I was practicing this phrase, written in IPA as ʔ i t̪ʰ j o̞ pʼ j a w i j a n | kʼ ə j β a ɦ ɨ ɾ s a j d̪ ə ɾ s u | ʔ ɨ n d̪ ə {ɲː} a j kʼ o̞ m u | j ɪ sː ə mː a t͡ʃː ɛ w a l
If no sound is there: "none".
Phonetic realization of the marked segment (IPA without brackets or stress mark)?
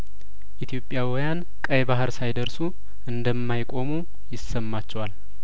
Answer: mː